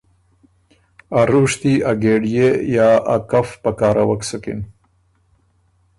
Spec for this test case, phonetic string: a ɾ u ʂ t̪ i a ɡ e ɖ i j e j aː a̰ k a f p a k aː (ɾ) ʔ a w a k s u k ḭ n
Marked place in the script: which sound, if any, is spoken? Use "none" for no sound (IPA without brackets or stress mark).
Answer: ɾ